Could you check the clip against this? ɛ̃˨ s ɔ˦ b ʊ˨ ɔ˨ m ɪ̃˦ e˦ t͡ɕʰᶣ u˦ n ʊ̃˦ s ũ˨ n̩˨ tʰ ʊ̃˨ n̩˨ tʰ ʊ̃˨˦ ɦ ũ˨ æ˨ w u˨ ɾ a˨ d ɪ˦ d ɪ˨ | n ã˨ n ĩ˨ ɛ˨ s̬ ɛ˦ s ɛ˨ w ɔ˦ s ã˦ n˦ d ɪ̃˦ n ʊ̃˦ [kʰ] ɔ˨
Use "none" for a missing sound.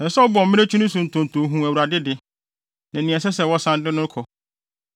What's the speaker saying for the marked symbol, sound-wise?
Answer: kʰ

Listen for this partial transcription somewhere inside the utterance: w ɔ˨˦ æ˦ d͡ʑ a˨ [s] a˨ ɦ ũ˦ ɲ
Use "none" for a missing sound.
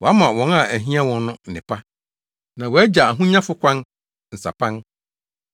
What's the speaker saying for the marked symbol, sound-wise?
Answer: none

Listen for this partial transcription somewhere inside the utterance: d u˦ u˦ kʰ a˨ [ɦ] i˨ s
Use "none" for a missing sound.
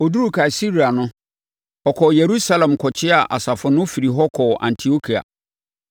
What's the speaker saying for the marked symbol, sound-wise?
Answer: none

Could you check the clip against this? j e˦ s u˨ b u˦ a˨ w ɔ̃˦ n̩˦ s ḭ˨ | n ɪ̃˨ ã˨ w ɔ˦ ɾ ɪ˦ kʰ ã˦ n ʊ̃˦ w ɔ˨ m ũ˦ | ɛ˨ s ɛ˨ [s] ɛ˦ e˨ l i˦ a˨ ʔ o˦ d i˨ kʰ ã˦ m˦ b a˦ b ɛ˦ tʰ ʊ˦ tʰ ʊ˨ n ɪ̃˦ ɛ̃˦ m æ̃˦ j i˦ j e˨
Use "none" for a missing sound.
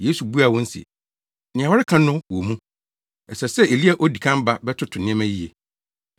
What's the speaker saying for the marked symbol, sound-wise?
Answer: s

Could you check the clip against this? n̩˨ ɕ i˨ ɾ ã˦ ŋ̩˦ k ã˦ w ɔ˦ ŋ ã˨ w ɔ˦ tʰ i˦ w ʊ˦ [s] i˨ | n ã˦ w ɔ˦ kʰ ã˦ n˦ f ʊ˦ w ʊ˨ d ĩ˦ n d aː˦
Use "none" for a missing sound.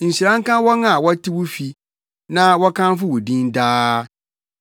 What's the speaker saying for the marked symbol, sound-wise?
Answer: f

